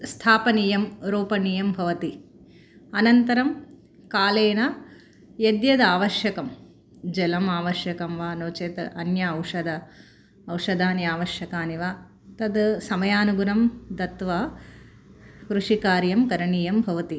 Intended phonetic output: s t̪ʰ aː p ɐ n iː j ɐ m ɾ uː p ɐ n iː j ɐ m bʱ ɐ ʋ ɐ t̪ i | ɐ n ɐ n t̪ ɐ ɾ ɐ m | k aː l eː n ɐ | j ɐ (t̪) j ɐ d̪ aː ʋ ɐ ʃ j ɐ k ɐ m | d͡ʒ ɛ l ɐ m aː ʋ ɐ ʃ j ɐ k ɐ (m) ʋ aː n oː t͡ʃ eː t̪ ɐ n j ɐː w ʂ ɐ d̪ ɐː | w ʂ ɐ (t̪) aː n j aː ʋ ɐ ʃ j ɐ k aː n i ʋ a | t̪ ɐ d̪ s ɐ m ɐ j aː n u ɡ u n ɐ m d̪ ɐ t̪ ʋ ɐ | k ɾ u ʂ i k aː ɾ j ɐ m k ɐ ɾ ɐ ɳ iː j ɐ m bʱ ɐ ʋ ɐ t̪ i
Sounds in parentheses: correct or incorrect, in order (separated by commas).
incorrect, correct, incorrect